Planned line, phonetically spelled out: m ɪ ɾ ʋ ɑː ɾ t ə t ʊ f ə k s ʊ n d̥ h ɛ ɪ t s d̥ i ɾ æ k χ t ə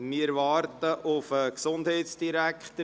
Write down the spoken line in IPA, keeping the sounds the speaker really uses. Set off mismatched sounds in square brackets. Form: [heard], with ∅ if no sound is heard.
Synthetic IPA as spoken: m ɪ ɾ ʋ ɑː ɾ t ə [ʔ] ʊ f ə k s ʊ n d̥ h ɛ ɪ t s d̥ i ɾ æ k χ t ə